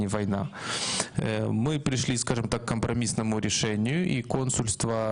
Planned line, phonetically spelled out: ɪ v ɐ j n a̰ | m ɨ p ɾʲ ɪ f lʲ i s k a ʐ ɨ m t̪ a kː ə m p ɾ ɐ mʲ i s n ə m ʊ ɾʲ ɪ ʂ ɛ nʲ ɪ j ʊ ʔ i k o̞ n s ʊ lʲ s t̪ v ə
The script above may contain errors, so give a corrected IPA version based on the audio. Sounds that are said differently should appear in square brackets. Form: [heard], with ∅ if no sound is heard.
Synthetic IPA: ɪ v ɐ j n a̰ | m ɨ p ɾʲ ɪ [ʂ] lʲ i s k a ʐ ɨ m t̪ a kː ə m p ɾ ɐ mʲ i s n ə m ʊ ɾʲ ɪ ʂ ɛ nʲ ɪ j ʊ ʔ i k o̞ n s ʊ lʲ s t̪ v ə

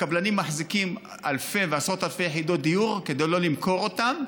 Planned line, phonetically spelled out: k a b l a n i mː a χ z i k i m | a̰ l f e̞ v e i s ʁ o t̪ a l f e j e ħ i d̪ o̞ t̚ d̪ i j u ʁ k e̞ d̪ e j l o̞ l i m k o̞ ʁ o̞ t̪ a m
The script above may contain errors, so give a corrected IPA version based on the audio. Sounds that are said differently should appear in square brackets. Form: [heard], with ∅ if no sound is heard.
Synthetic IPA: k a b l a n i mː a [ħ] z i k i m | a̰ l f e̞ v e [a] s ʁ o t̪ a l f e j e ħ i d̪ o̞ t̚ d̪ i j u ʁ k e̞ d̪ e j l o̞ l i m k o̞ ʁ o̞ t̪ a m

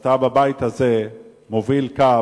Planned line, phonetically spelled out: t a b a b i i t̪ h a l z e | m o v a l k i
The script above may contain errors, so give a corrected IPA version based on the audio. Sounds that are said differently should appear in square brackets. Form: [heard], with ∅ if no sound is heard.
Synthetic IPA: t a b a b [a] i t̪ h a [∅] z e | m o v [i] l k [a]

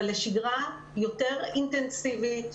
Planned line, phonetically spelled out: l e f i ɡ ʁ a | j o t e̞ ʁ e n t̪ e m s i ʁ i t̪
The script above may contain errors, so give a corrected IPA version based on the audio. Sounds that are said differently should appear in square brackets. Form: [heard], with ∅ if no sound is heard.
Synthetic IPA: l e [ʃ] i ɡ ʁ a | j o t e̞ ʁ [i] n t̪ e [n] s i [v] i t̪

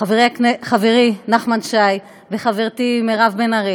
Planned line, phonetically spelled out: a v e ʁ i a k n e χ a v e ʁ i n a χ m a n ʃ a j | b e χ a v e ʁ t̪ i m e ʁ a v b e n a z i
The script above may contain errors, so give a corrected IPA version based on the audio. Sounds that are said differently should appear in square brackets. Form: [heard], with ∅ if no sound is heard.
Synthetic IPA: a v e ʁ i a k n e χ a v e ʁ i n a χ m a n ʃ a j | [v] e χ a v e ʁ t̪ i m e ʁ a v b e n a [ʁ] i

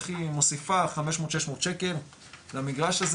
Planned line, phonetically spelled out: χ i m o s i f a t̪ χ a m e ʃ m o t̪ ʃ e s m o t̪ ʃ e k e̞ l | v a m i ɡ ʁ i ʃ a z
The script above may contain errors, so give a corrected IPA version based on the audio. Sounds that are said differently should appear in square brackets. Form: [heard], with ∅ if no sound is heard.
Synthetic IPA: χ i m o s i f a [∅] χ a m e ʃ m o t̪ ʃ e [ʃ] m o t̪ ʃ e k e̞ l | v a m i ɡ ʁ [a] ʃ a z

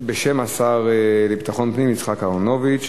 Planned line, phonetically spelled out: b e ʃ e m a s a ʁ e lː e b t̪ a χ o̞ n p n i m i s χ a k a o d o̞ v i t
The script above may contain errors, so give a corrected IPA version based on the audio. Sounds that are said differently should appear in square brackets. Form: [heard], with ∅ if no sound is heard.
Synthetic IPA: b e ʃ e m a s a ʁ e [l] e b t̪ a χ o̞ n p n i m i [t͡s] χ a k a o [n] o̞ v i [t͡ʃ]

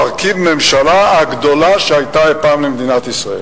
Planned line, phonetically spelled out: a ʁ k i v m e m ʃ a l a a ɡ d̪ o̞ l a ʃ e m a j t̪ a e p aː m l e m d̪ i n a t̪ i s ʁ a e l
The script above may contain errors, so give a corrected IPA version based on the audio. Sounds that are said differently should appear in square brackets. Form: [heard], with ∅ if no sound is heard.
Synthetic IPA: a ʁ k i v m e m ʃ a l a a ɡ d̪ o̞ l a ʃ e [∅] a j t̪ a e p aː m l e m d̪ i n a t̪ i s ʁ a e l

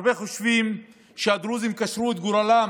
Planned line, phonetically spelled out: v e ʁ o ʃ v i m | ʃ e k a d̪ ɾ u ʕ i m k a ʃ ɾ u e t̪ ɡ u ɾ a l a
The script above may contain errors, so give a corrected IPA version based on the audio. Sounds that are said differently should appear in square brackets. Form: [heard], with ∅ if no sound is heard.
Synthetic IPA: [b] e [χ] o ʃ v i m | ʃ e [∅] a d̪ ɾ u [z] i m k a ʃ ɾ u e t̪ ɡ u ɾ a l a

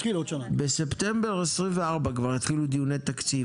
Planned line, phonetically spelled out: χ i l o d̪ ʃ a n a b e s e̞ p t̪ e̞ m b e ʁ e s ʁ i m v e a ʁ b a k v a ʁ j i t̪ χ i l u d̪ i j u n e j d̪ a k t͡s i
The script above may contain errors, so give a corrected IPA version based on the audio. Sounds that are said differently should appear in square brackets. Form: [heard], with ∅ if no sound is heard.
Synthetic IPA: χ i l o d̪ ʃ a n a b e s e̞ p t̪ e̞ m b e ʁ e s ʁ i m v e a ʁ b a k v a ʁ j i t̪ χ i l u d̪ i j u n e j [t̪] a k t͡s i

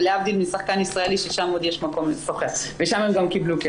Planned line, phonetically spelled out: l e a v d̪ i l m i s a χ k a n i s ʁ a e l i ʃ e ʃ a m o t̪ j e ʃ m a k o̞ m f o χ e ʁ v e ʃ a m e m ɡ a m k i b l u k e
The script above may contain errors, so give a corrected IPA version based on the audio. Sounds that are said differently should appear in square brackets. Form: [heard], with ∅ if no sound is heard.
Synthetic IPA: l e a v d̪ i l m i s a χ k a n i s ʁ a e l i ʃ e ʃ a m o [d̪] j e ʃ m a k o̞ m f o χ e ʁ v e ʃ a m e m ɡ a m k i b l u k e

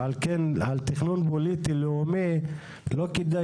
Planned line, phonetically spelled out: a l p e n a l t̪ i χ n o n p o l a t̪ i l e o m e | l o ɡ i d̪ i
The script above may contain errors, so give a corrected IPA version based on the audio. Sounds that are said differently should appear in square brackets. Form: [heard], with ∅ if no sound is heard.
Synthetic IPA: a l [k] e n a l t̪ i χ n [u] n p o l [i] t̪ i l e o m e | l o [k] i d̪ [a]

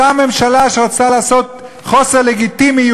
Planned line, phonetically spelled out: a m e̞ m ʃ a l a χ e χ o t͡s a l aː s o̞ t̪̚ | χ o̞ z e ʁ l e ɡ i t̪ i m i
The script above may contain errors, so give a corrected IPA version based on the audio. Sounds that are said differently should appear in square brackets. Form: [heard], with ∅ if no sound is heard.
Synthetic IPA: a m e̞ m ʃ a l a [ʃ] e [ʁ] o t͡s a l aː s o̞ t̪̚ | χ o̞ [s] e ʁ l e ɡ i t̪ i m i

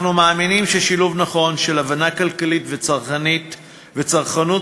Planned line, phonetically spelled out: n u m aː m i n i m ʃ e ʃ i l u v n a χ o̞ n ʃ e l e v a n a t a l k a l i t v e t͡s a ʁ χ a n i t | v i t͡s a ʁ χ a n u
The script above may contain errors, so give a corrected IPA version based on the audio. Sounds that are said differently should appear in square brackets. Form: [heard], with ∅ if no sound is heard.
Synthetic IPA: n u m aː m i n i m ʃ e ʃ i l u v n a χ o̞ n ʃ e l [a] v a n a [k] a l k a l i t v e t͡s a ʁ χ a n i t | v [e] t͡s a ʁ χ a n u

